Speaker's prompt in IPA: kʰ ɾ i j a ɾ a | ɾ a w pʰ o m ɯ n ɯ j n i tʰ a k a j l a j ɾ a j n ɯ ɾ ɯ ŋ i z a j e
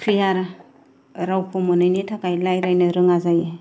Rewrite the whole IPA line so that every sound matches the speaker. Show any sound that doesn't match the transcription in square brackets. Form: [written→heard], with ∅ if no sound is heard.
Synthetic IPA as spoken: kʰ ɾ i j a ɾ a | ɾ a w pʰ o m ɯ n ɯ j n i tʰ a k a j l a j ɾ a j n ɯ ɾ ɯ ŋ [i→a] z a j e